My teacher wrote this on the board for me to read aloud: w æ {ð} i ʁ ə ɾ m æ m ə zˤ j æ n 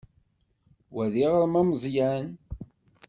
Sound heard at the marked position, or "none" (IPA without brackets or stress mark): ð